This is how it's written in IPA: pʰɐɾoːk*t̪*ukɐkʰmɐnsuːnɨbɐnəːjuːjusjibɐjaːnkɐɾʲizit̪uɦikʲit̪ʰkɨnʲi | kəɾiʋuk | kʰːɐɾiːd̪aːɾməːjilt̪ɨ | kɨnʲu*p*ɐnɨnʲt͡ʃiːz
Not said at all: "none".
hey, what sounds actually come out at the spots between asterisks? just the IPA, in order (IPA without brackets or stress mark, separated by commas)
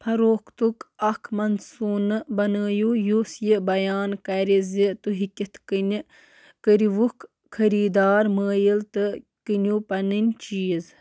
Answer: t̪, p